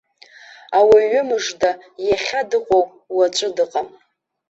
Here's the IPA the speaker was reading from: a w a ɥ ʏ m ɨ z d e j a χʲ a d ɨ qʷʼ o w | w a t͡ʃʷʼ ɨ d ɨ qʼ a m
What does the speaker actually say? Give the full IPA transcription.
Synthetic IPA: a w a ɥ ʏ m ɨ ʐ d a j a χʲ a d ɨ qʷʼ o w | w a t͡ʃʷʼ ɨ d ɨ qʼ a m

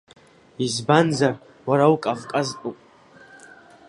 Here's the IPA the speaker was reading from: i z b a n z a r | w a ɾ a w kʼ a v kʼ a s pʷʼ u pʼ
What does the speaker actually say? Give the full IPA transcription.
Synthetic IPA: i z b a n z a r | w a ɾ a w kʼ a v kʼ a z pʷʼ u pʼ

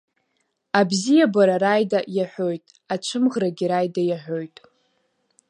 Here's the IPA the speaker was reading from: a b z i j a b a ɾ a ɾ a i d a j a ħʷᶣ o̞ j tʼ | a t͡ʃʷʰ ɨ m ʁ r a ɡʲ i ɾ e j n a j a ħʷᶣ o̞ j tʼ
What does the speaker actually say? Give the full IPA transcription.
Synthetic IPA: a b z i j a b a ɾ a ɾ a j d a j a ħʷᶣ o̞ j tʼ | a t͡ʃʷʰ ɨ m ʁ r a ɡʲ i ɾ a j d a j a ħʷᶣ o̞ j tʼ

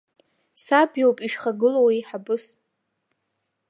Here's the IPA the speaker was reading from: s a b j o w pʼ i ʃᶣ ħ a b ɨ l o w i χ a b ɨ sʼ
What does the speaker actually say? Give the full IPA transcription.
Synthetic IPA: s a b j o w pʼ i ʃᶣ χ a ɡ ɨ l o w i ħ a b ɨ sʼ

